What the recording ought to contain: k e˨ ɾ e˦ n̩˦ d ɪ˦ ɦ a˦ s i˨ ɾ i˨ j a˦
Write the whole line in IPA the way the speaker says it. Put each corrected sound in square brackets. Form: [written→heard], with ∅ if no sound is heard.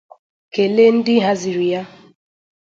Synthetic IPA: k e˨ [ɾ→l] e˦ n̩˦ d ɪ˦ ɦ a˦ [s→z] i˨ ɾ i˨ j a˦